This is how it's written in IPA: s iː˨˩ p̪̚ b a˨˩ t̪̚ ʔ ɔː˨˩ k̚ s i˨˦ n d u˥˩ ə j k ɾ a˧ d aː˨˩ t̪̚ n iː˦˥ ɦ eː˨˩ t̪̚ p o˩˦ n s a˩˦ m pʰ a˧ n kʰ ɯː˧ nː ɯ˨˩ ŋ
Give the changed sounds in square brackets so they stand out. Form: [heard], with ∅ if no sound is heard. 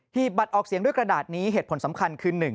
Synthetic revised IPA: [h] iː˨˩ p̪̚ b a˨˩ t̪̚ ʔ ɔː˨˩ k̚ s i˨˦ [ŋ] d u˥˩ ə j k ɾ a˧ d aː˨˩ t̪̚ n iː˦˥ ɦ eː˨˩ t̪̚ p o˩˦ n s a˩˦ m [kʰ] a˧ n kʰ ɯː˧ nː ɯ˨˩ ŋ